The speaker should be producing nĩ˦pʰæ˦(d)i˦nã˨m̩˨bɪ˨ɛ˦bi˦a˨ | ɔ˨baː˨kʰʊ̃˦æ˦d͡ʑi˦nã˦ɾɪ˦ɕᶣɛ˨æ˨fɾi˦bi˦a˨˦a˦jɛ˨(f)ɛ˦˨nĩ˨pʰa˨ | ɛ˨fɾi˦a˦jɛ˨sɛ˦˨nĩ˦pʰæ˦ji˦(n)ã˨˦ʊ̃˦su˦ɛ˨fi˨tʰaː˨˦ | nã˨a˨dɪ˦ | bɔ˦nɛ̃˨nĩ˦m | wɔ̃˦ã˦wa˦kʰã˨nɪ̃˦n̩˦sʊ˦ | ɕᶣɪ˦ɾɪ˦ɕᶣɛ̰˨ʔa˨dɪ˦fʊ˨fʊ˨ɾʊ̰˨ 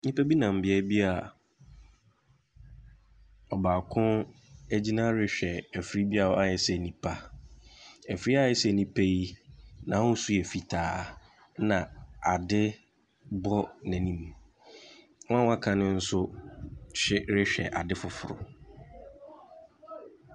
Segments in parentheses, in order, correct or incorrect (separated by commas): incorrect, incorrect, correct